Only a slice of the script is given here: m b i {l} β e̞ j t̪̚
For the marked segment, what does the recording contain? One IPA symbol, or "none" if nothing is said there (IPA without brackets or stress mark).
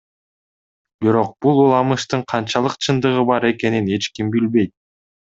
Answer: l